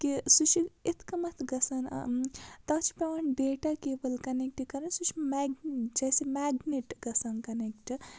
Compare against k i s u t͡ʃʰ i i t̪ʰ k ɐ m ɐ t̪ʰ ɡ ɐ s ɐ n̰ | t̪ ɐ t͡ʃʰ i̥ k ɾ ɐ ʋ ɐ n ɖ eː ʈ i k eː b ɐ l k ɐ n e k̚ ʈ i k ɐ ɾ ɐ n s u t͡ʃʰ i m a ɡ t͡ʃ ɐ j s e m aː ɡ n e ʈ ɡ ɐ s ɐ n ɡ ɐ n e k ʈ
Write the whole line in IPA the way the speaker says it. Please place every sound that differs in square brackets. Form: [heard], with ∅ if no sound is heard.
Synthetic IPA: k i s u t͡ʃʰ i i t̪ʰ k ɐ m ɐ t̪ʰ ɡ ɐ s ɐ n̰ | t̪ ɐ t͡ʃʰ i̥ [p] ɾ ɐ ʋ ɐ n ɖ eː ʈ [a] k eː b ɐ l k ɐ n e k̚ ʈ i k ɐ ɾ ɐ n s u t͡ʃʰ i m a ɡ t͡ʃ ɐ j s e m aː ɡ n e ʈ ɡ ɐ s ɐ n [k] ɐ n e k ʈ

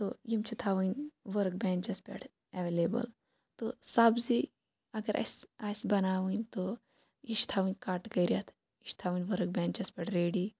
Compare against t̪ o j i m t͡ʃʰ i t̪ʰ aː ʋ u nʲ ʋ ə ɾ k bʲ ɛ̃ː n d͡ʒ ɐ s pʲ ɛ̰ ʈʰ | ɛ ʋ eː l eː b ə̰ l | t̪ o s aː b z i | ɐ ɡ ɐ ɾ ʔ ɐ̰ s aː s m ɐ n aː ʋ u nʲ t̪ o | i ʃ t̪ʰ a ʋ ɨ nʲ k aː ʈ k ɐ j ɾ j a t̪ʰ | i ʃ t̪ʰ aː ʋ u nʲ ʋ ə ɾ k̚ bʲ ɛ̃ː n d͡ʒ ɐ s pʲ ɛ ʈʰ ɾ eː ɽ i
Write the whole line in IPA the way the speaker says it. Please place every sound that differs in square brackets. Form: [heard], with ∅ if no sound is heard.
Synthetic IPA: t̪ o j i m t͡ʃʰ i t̪ʰ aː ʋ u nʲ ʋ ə ɾ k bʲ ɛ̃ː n d͡ʒ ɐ s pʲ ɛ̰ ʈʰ | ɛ ʋ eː l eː b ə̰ l | t̪ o s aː b z i | ɐ ɡ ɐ ɾ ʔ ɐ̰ s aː s [b] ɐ n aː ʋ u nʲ t̪ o | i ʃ t̪ʰ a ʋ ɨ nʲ k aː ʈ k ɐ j ɾ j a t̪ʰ | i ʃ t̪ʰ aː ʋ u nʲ ʋ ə ɾ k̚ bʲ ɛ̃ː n d͡ʒ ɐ s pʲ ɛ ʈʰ ɾ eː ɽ i

